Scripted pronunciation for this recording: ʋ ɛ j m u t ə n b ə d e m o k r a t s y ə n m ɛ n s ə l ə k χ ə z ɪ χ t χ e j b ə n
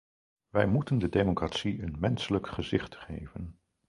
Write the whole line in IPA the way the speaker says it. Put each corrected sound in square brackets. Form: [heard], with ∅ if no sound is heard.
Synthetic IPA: ʋ ɛ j m u t ə n [d] ə d e m o k r a t s [i] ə n m ɛ n s ə l ə k χ ə z ɪ χ t χ e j [v] ə n